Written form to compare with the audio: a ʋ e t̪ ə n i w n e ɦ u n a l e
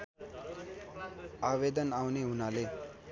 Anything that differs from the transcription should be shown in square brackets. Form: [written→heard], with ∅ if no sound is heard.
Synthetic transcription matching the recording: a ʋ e [t̪→d̪] ə n [i→a] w n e ɦ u n a l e